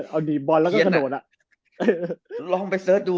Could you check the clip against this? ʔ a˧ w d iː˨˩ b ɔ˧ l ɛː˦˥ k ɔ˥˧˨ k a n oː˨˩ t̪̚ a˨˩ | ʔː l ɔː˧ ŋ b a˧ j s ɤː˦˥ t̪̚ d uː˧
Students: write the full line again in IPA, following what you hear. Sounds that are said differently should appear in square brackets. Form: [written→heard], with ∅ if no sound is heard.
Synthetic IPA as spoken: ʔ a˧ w [d→n] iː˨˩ b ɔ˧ l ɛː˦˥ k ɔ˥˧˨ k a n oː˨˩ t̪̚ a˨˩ | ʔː l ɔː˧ ŋ [b→p] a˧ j s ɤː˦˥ t̪̚ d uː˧